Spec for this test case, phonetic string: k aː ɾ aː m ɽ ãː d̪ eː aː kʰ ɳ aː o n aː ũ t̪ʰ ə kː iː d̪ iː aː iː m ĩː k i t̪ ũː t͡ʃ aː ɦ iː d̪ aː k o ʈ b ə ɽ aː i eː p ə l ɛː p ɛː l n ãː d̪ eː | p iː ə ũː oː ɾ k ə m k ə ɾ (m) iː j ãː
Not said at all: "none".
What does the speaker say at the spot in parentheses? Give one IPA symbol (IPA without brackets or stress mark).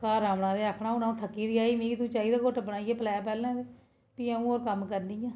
n